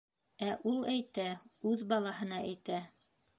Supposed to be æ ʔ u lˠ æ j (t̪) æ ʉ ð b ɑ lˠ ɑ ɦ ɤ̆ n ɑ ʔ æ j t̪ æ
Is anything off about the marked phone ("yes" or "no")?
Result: no